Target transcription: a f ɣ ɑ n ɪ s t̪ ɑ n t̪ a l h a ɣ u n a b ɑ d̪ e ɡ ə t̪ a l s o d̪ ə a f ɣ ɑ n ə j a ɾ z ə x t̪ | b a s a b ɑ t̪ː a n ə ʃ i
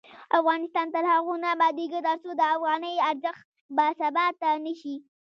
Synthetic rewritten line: a f ɣ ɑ n ɪ s t̪ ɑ n t̪ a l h a ɣ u n a b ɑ d̪ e ɡ ə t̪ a ɾ s o d̪ ə a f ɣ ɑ n ə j a ɾ z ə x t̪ | b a s a b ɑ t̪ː a n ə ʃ i

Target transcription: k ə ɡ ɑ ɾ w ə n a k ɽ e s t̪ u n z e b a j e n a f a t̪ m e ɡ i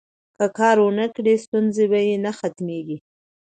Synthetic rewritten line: k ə k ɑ ɾ w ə n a k ɽ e s t̪ u n z e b a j e n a x a t̪ m e ɡ i

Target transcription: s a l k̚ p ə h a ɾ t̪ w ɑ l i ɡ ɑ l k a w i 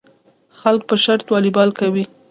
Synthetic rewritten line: x a l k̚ p ə ʃ a ɾ t̪ w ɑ l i b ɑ l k a w i

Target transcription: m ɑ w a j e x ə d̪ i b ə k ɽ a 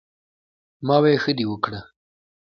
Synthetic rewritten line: m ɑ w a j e x ə d̪ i w ə k ɽ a

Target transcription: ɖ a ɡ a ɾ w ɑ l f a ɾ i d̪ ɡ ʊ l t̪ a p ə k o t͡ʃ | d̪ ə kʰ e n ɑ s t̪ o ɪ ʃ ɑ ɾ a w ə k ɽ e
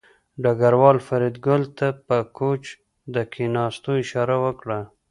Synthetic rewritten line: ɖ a ɡ a ɾ w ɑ l f a ɾ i d̪ ɡ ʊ l t̪ a p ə k o t͡ʃ | d̪ ə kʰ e n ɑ s t̪ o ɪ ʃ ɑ ɾ a w ə k ɽ a

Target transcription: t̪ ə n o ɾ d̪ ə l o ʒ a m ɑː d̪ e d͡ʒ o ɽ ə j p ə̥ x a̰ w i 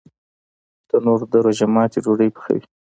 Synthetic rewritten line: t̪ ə n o ɾ d̪ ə ɾ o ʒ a m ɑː t̪ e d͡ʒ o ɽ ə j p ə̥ x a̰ w i

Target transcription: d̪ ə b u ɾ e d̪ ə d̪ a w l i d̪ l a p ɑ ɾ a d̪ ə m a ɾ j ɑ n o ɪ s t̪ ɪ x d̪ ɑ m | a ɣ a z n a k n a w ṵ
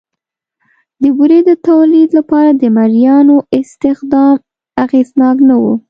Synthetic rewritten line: d̪ ə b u ɾ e d̪ ə t̪ a w l i d̪ l a p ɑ ɾ a d̪ ə m a ɾ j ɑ n o ɪ s t̪ ɪ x d̪ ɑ m | a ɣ e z n ɑ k n a w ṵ

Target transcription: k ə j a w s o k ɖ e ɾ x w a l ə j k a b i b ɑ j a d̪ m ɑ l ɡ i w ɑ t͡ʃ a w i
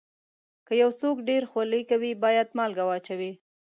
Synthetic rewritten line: k ə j a w s o k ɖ e ɾ x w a l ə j k a w i b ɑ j a d̪ m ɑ l ɡ a w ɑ t͡ʃ a w i

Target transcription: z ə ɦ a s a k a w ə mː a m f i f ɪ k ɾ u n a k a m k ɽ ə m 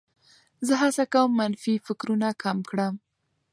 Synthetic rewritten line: z ə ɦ a s a k a w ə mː a n f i f ɪ k ɾ u n a k a m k ɽ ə m

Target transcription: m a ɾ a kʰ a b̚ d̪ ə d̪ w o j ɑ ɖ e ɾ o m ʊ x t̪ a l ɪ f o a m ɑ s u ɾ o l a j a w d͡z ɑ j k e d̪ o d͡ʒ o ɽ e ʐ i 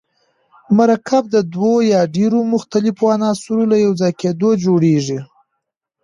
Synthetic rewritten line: m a ɾ a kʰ a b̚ d̪ ə d̪ w o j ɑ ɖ e ɾ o m ʊ x t̪ a l ɪ f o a n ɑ s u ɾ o l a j a w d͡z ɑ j k e d̪ o d͡ʒ o ɽ e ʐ i

